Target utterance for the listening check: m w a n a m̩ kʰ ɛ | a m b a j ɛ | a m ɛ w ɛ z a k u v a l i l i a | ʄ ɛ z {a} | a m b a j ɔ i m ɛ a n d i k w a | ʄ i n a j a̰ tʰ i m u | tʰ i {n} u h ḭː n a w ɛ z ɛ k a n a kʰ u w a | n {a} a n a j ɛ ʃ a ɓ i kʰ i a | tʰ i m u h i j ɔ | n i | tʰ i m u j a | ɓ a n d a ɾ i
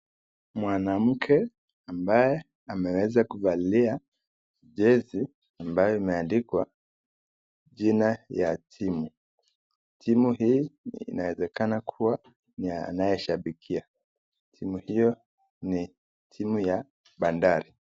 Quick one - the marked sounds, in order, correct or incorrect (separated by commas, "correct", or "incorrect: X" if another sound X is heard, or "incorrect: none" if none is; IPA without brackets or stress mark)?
incorrect: i, incorrect: m, incorrect: i